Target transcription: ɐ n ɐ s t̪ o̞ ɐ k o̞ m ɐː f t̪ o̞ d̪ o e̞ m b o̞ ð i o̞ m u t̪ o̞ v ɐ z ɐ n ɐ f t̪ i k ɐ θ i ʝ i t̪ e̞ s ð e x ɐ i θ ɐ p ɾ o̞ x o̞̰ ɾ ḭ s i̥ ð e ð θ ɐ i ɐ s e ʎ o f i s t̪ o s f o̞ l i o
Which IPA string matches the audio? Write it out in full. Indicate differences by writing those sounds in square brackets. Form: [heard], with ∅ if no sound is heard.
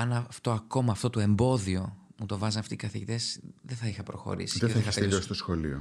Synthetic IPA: ɐ n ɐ [f] t̪ o̞ ɐ k o̞ m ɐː f t̪ o̞ [t̪] o e̞ m b o̞ ð i o̞ m u t̪ o̞ v ɐ z ɐ n ɐ f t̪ i k ɐ θ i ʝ i t̪ e̞ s ð e [θ] ɐ i [x] ɐ p ɾ o̞ x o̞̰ ɾ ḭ s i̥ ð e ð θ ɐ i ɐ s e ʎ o [s] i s t̪ o s [x] o̞ l i o